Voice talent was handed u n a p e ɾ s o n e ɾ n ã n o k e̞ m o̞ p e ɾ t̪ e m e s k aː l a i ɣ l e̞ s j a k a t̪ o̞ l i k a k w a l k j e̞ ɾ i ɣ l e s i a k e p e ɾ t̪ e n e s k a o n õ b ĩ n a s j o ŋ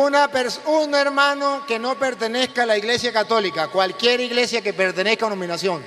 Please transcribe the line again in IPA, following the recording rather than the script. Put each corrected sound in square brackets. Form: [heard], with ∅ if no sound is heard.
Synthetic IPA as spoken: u n a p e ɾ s [u] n e ɾ [m] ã n o k e̞ [n] o̞ p e ɾ t̪ e [n] e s k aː l a i ɣ l e̞ s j a k a t̪ o̞ l i k a k w a l k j e̞ ɾ i ɣ l e s [j] a k e p e ɾ t̪ e n e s k a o n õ [m] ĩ n a s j o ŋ

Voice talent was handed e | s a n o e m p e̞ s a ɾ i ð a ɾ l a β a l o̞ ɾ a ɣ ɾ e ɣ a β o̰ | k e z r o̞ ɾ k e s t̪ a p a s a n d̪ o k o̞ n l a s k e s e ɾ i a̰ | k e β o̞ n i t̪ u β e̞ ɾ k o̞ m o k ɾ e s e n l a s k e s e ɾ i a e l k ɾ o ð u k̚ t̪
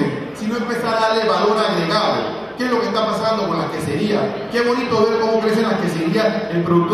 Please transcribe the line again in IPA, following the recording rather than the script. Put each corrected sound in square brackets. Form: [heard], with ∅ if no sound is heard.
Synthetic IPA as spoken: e | s [i] n o e m p e̞ s a ɾ [a] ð a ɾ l [e] β a l o̞ ɾ a ɣ ɾ e ɣ a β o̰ | k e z [l] o̞ [∅] k e s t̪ a p a s a n d̪ o k o̞ n l a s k e s e ɾ i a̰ | k e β o̞ n i t̪ [o] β e̞ ɾ k o̞ m o k ɾ e s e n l a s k e s e ɾ i a e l [p] ɾ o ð u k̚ t̪

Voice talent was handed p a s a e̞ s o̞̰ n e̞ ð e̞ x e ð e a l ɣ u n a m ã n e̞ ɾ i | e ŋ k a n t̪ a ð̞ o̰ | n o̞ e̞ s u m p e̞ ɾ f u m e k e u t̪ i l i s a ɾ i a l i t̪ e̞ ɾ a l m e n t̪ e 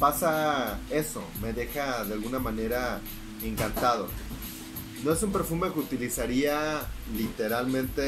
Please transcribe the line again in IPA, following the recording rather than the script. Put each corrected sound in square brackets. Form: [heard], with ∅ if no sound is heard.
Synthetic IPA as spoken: p a s a e̞ s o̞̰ [m] e̞ ð e̞ x [a] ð e a l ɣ u n a m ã n e̞ ɾ [a] | e ŋ k a n t̪ a ð̞ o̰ | n o̞ e̞ s u m p e̞ ɾ f u m e k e u t̪ i l i s a ɾ i a l i t̪ e̞ ɾ a l m [ẽ] n t̪ e

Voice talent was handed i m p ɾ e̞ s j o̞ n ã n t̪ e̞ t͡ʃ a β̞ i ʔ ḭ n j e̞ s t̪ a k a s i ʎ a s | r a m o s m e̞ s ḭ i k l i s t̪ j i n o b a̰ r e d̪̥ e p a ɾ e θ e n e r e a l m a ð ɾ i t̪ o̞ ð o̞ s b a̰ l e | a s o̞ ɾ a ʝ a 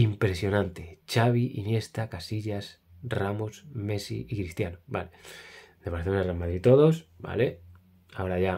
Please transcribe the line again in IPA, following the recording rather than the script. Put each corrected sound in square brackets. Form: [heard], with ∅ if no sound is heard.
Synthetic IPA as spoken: i m p ɾ e̞ s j o̞ n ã n t̪ e̞ t͡ʃ a β̞ i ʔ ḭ n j e̞ s t̪ a k a s i ʎ a s | r a m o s m e̞ s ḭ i k [ɾ] i s t̪ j [a] n o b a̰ [l] e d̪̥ e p a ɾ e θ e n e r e a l m a ð ɾ i t̪ o̞ ð o̞ s b a̰ l e | a [∅] o̞ ɾ a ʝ a

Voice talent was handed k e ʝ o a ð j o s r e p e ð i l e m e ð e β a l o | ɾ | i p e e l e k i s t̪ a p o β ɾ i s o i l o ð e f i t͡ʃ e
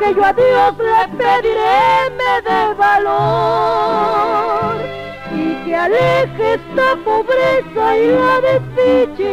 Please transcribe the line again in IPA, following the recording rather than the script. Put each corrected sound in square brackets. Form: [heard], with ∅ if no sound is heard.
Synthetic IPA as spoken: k e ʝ o a ð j o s [l] e p e ð i [ɾ] e m e ð e β a l o | ɾ | i [k] e [a] l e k [e] s t̪ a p o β ɾ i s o i l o ð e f i t͡ʃ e

